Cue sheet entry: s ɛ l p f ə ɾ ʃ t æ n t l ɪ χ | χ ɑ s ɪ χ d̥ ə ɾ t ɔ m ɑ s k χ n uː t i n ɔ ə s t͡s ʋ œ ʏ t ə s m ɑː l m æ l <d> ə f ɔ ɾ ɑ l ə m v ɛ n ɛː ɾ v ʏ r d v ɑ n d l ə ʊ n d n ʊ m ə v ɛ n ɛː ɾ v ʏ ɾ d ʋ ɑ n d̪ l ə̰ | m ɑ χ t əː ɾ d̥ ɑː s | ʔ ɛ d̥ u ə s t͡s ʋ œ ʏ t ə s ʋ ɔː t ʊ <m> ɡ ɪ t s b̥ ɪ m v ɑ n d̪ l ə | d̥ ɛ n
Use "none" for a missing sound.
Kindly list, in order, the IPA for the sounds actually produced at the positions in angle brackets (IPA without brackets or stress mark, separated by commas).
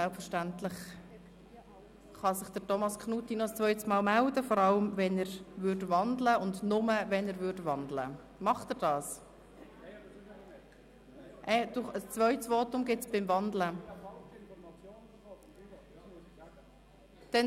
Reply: d, m